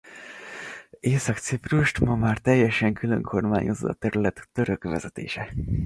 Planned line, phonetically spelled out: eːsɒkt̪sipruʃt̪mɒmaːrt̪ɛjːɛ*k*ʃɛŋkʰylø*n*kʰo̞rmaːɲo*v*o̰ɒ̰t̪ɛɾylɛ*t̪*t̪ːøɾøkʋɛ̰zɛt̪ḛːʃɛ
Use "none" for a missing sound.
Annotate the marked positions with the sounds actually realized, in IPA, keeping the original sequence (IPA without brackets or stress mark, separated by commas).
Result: none, ŋ, z, t̪